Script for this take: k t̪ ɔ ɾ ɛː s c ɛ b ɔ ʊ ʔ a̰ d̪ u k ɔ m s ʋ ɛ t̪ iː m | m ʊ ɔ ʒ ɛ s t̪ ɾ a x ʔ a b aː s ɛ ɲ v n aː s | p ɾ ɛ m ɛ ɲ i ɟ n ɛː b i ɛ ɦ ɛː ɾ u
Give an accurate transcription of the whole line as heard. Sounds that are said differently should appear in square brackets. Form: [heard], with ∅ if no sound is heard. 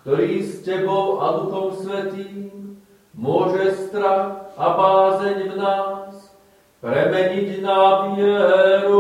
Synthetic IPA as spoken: k t̪ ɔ ɾ [iː] s c ɛ b ɔ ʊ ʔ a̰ d̪ u [x] ɔ m s ʋ ɛ t̪ iː m | m ʊ ɔ ʒ ɛ s t̪ ɾ a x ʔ a b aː [z] ɛ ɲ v n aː s | p ɾ ɛ m ɛ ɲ i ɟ n [aː] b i ɛ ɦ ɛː ɾ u